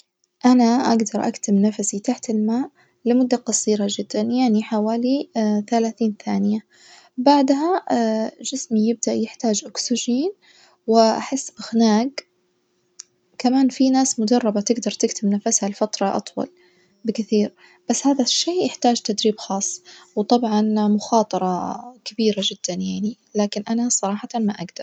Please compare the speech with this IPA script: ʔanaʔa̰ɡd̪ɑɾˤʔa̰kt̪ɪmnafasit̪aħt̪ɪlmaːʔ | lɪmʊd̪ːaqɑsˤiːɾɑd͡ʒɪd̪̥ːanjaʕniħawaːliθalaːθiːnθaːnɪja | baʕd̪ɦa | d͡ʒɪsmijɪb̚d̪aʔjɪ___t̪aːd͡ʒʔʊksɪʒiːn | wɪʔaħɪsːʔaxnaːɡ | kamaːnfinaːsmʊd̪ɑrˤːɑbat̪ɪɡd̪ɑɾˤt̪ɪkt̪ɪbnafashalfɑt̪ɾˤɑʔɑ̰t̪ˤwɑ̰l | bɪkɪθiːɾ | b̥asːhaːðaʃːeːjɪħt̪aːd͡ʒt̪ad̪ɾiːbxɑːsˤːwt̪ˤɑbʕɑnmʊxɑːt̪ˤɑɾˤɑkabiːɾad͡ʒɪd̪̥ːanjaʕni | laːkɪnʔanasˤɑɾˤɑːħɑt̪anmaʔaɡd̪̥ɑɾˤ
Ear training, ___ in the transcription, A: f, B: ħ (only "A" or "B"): B